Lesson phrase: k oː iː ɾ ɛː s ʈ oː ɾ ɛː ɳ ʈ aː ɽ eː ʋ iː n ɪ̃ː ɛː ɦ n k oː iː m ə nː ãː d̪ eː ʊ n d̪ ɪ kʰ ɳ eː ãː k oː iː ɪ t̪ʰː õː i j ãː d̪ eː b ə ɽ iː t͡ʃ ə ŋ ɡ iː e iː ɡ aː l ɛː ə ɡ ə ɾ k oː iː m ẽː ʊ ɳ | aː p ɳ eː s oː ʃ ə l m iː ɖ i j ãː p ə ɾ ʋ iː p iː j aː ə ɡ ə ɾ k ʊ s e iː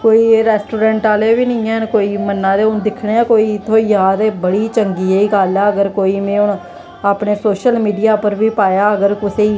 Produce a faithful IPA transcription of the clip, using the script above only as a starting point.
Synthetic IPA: k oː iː ɾ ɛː s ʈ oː ɾ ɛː ɳ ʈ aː l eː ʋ iː n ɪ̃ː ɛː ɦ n k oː iː m ə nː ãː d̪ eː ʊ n d̪ ɪ kʰ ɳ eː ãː k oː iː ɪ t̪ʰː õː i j aː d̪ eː b ə ɽ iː t͡ʃ ə ŋ ɡ iː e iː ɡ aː l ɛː ə ɡ ə ɾ k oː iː m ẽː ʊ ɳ | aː p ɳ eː s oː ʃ ə l m iː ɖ i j aː p ə ɾ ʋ iː p aː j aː ə ɡ ə ɾ k ʊ s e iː